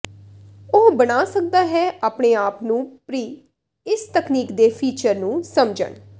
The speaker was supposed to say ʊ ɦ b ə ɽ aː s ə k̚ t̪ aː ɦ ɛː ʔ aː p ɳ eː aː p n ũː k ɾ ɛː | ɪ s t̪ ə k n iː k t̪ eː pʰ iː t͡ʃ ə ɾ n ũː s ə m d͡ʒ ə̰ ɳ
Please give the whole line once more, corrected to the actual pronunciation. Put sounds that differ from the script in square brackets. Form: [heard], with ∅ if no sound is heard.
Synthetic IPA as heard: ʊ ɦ b ə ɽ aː s ə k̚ [d̪] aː ɦ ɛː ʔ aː p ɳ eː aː p n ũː [p] ɾ [iː] | ɪ s t̪ ə k n iː k [d̪] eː pʰ iː t͡ʃ ə ɾ n ũː s ə m d͡ʒ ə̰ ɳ